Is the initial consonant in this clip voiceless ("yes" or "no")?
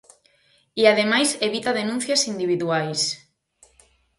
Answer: no